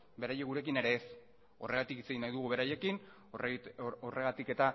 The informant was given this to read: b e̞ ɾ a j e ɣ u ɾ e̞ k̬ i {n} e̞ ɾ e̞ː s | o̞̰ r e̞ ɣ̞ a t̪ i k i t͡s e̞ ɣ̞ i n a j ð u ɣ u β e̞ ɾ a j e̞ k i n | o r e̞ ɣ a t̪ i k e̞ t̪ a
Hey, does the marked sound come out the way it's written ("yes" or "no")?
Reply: yes